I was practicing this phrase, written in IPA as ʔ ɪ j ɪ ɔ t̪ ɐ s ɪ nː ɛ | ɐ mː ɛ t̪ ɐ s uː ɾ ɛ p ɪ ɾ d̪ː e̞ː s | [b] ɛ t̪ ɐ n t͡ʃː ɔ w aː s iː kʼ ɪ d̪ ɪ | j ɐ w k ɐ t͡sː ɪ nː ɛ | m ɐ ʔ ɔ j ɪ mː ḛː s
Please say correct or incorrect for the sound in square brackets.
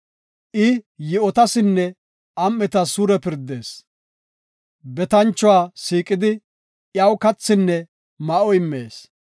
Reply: correct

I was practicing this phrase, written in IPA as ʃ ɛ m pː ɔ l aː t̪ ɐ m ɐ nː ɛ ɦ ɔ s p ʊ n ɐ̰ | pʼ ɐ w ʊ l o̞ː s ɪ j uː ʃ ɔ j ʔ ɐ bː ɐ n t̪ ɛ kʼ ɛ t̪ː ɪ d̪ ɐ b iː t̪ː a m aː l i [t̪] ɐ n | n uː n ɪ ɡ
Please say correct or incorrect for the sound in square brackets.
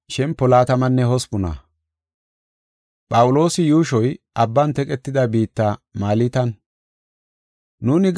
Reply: correct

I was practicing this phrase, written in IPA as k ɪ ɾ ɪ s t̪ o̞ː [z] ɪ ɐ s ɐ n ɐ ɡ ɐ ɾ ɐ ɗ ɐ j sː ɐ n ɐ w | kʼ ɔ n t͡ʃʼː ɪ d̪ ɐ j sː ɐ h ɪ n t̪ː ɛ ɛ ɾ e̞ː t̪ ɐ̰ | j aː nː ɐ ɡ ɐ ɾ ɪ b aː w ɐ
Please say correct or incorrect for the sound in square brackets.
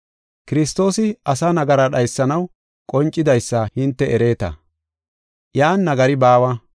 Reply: incorrect: s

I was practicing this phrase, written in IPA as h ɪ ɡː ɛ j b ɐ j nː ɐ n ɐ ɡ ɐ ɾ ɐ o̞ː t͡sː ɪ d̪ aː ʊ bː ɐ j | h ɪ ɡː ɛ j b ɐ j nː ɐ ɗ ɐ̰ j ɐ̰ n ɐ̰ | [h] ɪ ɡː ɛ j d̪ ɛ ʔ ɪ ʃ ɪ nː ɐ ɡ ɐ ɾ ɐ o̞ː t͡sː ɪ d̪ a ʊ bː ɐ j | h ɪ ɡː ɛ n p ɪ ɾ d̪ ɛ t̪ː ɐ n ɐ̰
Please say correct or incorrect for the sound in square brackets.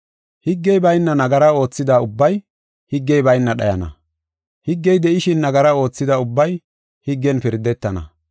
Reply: correct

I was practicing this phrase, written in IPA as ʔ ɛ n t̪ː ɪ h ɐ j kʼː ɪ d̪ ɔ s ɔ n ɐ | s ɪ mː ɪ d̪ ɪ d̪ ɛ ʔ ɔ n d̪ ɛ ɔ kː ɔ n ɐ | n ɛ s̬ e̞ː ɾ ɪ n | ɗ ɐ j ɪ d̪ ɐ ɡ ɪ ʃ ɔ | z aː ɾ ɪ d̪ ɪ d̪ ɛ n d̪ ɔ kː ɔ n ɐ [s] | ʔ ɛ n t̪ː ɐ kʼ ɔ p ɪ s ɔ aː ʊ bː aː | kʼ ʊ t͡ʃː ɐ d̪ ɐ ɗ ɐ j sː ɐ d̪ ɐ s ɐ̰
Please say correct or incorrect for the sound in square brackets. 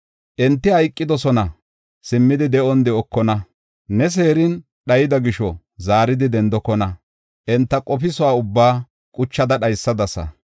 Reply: incorrect: none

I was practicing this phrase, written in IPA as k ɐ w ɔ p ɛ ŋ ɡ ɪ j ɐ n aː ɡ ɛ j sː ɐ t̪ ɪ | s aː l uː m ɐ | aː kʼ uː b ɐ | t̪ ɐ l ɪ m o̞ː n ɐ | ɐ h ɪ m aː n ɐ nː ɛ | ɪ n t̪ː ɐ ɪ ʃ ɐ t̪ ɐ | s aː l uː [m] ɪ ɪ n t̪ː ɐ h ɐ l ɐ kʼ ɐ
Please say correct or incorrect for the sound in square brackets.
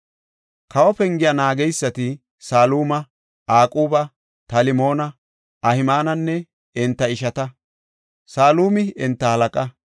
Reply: correct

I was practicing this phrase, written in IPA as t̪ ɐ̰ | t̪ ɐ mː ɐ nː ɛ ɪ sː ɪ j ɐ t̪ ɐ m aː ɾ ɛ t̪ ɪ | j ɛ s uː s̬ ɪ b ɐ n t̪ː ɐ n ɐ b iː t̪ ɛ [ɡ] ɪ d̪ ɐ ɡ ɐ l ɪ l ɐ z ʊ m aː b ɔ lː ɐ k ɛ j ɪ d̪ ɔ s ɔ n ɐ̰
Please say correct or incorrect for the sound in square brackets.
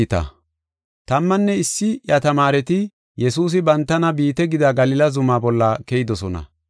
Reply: correct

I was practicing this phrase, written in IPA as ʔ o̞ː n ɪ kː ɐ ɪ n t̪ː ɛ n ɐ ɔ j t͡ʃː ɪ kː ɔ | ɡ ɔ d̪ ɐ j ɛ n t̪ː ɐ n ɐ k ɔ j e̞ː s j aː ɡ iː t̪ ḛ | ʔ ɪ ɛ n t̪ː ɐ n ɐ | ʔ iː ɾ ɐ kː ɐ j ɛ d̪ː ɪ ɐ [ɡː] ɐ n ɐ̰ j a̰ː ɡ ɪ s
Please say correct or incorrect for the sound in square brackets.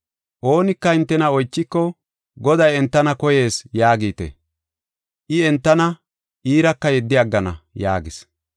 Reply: correct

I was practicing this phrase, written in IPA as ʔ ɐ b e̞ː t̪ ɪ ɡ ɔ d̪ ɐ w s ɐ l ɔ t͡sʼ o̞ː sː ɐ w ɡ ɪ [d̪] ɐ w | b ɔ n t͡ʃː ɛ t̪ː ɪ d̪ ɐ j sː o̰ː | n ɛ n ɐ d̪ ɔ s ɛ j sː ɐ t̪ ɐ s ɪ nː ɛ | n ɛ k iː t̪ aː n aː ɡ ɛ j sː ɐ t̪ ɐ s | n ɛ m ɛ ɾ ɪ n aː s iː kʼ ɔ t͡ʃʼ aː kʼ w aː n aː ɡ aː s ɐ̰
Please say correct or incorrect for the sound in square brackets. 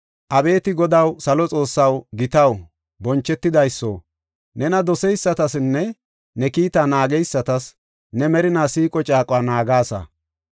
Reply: incorrect: t̪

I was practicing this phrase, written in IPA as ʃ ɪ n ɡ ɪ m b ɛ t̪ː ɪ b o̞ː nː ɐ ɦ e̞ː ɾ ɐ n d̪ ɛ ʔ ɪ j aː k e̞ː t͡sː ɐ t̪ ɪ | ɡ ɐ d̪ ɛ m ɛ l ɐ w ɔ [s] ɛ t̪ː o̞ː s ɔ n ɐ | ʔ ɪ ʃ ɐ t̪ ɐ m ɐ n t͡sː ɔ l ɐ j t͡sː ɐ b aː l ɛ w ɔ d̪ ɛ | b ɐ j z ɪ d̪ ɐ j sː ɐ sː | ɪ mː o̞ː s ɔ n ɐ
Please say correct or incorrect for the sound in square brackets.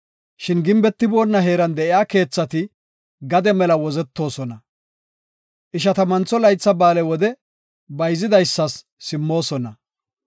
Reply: incorrect: z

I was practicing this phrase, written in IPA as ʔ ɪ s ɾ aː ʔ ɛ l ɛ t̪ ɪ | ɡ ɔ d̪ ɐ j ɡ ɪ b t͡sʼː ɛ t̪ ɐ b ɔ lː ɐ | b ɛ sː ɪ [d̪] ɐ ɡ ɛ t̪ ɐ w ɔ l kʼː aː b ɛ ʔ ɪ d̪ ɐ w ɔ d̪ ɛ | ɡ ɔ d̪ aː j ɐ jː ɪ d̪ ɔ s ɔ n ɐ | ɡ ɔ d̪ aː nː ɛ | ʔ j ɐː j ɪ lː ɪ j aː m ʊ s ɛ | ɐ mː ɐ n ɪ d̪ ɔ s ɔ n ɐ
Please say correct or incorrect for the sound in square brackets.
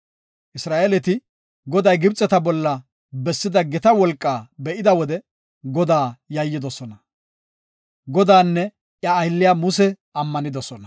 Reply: correct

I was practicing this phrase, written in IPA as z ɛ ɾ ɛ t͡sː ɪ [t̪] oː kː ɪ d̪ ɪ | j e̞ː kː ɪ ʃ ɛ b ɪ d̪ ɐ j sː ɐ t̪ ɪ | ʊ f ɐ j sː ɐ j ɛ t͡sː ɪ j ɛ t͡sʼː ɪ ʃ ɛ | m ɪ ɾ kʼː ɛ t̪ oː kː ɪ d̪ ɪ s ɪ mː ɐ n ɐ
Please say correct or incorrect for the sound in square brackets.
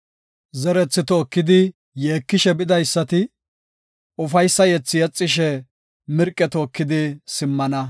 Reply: correct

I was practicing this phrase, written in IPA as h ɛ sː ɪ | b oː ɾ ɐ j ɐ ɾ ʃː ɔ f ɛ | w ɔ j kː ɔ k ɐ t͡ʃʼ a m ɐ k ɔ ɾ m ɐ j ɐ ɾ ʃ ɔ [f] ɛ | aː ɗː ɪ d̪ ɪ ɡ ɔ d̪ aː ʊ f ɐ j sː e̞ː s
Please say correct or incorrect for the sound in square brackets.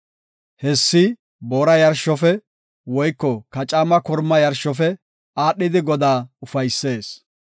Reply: correct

